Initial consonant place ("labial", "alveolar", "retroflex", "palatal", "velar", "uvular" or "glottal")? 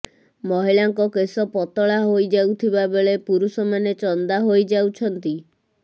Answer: labial